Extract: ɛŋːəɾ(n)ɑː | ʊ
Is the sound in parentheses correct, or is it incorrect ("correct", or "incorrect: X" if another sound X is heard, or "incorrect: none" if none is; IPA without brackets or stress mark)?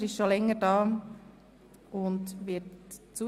incorrect: d